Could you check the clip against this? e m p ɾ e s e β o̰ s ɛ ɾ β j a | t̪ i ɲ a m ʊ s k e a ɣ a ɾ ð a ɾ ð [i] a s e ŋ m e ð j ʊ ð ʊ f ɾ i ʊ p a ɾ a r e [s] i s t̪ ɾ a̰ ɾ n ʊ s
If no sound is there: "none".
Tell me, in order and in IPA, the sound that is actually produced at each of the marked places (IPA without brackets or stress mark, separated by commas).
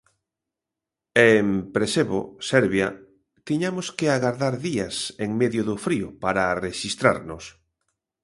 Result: i, ʃ